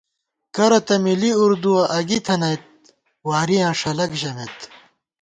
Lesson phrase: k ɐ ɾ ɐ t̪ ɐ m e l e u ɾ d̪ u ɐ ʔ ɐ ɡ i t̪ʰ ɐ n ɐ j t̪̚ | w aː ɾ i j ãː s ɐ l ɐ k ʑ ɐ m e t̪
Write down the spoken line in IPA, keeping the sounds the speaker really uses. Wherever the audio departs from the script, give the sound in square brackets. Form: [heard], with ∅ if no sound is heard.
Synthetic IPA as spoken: k ɐ ɾ ɐ t̪ ɐ m [i] l [i] u ɾ d̪ u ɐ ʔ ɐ ɡ i t̪ʰ ɐ n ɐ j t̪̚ | w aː ɾ i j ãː [ʂ] ɐ l ɐ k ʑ ɐ m e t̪